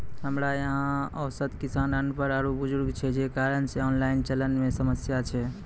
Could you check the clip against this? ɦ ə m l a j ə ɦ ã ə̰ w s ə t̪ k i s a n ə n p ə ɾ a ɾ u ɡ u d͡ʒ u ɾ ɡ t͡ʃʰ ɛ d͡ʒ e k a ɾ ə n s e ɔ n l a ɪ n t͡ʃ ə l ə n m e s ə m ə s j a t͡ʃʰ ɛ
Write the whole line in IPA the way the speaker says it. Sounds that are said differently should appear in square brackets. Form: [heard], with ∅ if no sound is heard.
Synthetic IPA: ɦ ə m [ɾ] a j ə ɦ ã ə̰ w s ə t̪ k i s a n ə n p ə ɾ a ɾ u [b] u d͡ʒ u ɾ ɡ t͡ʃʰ ɛ d͡ʒ e k a ɾ ə n s e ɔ n l a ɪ n t͡ʃ ə l ə n m e s ə m ə s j a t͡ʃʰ ɛ